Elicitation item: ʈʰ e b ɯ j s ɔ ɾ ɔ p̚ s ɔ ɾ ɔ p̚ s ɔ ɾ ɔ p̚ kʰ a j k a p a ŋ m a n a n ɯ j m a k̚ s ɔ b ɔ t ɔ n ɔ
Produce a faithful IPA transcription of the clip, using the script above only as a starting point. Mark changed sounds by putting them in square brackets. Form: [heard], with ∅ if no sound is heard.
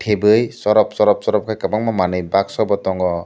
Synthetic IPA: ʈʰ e b ɯ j s ɔ ɾ ɔ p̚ s ɔ ɾ ɔ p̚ s ɔ ɾ ɔ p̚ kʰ a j k a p a ŋ m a [m] a n ɯ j [b] a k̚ s ɔ b ɔ t ɔ [ŋ] ɔ